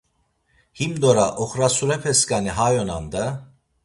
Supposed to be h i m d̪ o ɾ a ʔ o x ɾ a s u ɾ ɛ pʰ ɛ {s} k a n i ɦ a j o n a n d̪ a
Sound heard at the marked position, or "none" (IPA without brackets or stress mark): s